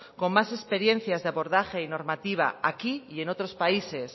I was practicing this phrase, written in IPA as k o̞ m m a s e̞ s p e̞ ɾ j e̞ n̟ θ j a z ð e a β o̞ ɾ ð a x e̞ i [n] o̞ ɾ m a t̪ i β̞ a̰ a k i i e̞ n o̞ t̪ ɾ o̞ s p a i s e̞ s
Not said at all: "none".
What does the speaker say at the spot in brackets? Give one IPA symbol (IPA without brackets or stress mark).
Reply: n